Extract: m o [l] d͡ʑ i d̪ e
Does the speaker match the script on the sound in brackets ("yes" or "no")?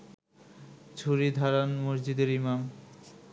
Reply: no